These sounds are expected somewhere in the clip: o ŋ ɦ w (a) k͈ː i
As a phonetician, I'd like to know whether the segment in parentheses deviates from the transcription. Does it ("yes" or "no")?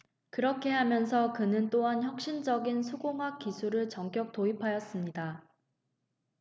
no